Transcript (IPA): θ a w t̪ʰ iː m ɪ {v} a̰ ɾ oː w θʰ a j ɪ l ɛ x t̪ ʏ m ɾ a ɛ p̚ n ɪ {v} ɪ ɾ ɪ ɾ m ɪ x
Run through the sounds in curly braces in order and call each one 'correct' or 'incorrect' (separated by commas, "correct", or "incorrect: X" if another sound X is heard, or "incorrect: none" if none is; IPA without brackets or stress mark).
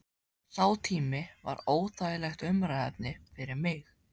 correct, incorrect: f